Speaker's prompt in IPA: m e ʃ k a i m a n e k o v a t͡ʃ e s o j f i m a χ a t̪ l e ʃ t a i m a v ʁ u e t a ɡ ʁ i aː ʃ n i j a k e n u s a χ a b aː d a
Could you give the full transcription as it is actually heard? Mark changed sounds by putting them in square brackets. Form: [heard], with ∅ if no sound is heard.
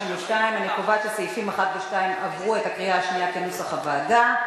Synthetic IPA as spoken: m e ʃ [t] a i m a n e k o v a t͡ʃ e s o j f i m a χ a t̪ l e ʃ t a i m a v ʁ u e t a [k] ʁ i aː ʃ n i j a k e n u s a χ a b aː d a